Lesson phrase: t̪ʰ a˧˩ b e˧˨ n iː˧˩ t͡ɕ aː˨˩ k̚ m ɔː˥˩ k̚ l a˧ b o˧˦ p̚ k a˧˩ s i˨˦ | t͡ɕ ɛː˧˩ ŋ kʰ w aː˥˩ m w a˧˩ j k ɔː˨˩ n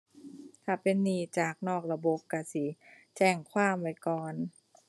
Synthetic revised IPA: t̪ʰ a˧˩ p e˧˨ nː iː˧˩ t͡ɕ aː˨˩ k̚ n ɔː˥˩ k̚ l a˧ b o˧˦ p̚ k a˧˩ s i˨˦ | t͡ɕ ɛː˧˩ ŋ kʰ w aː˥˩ m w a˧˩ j k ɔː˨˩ n